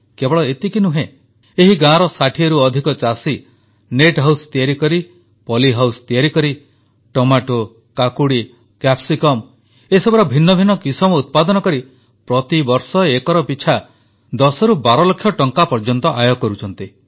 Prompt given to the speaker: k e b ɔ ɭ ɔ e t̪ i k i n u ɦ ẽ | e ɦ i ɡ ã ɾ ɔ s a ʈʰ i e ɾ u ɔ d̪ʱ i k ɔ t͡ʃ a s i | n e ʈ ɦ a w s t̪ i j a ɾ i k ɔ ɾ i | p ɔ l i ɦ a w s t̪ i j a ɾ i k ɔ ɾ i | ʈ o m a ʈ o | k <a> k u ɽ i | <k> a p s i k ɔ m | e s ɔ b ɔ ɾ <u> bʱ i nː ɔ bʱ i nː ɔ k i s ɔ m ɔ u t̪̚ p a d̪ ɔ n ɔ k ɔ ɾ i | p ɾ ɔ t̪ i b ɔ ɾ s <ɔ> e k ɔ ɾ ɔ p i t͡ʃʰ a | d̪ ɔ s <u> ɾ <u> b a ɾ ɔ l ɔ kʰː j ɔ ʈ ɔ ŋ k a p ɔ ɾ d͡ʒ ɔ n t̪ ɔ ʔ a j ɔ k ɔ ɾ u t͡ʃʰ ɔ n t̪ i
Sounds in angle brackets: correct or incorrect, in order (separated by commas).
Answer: correct, correct, incorrect, correct, incorrect, correct